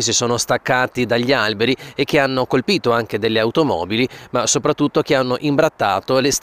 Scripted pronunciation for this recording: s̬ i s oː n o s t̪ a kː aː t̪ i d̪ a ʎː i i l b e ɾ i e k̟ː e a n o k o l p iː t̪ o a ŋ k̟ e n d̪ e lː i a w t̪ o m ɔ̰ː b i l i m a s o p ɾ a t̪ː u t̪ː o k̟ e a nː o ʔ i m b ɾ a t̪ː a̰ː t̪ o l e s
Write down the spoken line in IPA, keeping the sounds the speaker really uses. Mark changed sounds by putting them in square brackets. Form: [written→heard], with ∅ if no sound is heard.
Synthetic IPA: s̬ i s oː n o s t̪ a kː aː t̪ i d̪ a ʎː i [i→a] l b e ɾ i e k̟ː e a [n→nː] o k o l p iː t̪ o a ŋ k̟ e [n→∅] d̪ e lː [i→e] a w t̪ o m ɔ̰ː b i l i m a s o p ɾ a t̪ː u t̪ː o k̟ e a nː o ʔ i m b ɾ a t̪ː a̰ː t̪ o l e s